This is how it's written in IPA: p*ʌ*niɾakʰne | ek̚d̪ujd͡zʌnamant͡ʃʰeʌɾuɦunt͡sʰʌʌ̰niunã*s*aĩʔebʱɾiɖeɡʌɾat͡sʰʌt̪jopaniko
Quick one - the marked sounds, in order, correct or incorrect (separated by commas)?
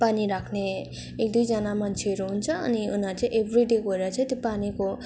incorrect, incorrect